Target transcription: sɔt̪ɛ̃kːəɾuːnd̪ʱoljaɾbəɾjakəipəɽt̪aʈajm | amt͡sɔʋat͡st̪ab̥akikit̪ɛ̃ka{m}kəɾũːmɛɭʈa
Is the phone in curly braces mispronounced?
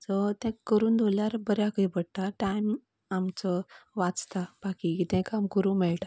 no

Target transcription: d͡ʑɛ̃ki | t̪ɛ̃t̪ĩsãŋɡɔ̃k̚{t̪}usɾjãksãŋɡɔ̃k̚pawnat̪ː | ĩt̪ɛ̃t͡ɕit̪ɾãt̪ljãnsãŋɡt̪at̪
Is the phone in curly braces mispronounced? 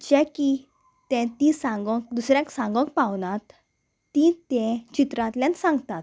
yes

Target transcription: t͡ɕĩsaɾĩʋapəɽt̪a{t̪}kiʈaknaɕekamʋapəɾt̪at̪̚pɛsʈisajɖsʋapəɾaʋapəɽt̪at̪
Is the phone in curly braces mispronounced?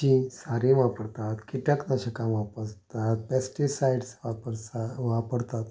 no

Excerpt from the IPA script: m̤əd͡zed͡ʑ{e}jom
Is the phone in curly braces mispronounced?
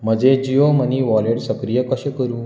yes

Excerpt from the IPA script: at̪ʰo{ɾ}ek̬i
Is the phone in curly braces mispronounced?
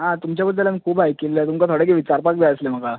yes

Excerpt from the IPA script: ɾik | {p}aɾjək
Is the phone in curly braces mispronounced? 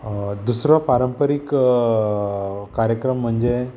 yes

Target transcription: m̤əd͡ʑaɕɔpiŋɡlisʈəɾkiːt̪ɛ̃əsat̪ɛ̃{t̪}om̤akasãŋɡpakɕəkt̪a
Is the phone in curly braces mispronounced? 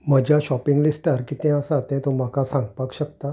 no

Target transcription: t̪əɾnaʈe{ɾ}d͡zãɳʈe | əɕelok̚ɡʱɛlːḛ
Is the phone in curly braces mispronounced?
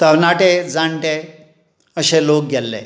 yes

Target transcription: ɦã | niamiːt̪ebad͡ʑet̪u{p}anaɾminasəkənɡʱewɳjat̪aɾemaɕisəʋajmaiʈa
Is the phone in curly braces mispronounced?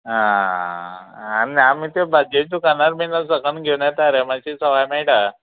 yes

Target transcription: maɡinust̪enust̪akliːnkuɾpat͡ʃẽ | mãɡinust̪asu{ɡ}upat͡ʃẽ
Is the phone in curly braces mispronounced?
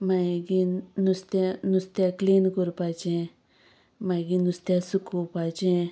yes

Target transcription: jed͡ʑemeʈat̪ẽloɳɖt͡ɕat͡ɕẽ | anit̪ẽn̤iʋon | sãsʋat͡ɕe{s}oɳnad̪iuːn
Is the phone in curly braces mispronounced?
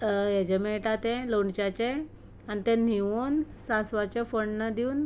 yes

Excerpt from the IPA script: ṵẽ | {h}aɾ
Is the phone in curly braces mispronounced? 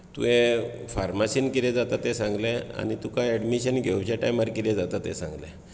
yes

